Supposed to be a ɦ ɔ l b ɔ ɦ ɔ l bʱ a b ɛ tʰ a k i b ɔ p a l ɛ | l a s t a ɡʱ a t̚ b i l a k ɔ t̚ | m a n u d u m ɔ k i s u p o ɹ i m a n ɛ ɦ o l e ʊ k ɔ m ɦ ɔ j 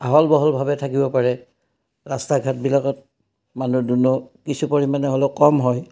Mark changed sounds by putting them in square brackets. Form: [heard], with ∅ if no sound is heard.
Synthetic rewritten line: a ɦ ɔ l b ɔ ɦ ɔ l bʱ a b ɛ tʰ a k i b ɔ p a [ɹ] ɛ | [ɹ] a s t a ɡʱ a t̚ b i l a k ɔ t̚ | m a n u d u [n] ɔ k i s u p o ɹ i m a n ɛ ɦ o l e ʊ k ɔ m ɦ ɔ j